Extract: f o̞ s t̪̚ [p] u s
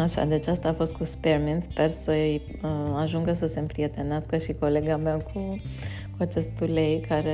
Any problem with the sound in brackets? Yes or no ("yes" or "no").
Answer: yes